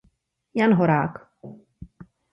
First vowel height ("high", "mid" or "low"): low